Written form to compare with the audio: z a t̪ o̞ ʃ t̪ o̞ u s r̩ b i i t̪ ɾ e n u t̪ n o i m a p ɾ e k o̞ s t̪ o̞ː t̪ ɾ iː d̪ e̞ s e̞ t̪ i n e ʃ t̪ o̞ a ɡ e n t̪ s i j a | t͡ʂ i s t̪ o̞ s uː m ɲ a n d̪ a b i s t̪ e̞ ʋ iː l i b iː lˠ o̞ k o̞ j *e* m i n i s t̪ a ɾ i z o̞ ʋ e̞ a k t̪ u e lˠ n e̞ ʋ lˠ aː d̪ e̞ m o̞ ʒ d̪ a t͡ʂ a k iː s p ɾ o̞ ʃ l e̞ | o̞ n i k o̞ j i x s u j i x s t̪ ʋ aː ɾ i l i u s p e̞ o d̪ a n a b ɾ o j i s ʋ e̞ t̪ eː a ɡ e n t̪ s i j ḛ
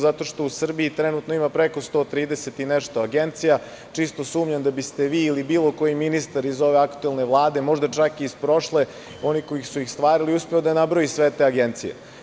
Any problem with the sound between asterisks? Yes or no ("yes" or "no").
yes